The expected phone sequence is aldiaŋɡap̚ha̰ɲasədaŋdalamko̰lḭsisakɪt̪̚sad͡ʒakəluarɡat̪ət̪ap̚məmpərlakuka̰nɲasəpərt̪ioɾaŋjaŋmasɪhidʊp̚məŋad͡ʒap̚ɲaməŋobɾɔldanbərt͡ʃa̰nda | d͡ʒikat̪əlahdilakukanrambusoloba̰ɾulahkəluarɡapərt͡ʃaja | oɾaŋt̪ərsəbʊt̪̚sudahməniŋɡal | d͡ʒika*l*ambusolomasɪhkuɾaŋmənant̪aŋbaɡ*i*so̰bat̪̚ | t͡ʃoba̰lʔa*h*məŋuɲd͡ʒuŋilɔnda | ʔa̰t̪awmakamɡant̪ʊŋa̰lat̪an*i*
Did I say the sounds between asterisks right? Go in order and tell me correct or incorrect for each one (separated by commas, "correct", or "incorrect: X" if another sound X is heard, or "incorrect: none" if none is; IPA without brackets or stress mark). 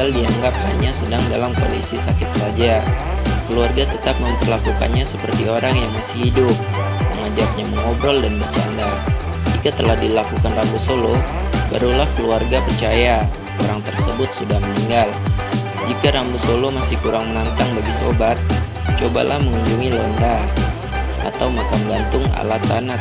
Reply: incorrect: ɾ, correct, correct, incorrect: a